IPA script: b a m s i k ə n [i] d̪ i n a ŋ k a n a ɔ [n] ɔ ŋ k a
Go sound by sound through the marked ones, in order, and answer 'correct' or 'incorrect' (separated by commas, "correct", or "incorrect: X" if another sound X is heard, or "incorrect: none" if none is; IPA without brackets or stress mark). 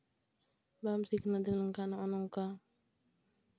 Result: incorrect: a, correct